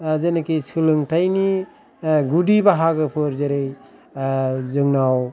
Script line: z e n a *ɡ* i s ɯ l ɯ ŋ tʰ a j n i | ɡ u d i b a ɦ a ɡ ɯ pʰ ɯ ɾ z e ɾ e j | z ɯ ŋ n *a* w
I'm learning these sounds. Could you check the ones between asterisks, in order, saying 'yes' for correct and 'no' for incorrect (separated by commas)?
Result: no, yes